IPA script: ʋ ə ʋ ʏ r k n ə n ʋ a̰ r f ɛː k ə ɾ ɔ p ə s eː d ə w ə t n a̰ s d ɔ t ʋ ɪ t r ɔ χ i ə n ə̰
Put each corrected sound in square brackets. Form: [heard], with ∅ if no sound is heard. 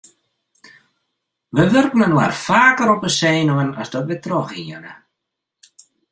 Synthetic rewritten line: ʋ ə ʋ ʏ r k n ə n [w] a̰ r f [aː] k ə ɾ ɔ p ə s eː [n] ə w ə [∅] n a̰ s d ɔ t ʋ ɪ t r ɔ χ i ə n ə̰